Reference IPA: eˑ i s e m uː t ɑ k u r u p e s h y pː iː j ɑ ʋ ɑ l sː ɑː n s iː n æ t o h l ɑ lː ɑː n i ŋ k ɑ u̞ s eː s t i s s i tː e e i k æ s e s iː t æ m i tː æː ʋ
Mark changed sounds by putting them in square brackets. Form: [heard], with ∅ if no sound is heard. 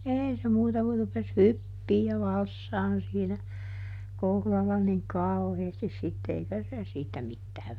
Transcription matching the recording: eˑ i s e m uː t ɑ k u r u p e s h y pː iː j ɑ ʋ ɑ l sː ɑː n s iː n æ [k] o h l ɑ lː [ɑ] n i ŋ k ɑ u̞ [h] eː s t i s s i tː e e i k æ s e s iː t æ m i tː æː ʋ